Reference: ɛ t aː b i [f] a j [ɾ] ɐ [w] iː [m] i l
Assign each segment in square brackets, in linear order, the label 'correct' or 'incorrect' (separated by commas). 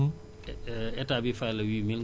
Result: correct, incorrect, correct, correct